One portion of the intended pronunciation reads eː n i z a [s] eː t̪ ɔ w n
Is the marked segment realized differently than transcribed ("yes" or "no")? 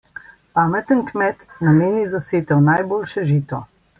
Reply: no